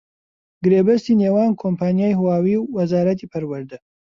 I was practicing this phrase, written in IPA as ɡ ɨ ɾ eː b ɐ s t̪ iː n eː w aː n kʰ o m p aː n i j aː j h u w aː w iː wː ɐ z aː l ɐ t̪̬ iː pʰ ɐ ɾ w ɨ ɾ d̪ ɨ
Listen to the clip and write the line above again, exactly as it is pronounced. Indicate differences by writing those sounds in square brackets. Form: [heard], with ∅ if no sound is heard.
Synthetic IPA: ɡ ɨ ɾ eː b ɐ s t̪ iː n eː w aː n kʰ o m p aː n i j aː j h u w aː w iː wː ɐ z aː [ɾ] ɐ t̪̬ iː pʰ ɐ ɾ w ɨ ɾ d̪ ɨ